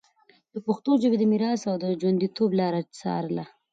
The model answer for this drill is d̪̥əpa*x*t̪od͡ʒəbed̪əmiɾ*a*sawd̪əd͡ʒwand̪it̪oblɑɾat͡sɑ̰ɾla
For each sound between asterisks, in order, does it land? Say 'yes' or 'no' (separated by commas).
yes, no